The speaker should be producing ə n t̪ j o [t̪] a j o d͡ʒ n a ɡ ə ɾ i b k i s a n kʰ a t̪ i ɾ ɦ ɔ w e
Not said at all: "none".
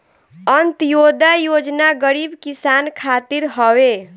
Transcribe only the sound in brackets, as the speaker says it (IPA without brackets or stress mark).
d̪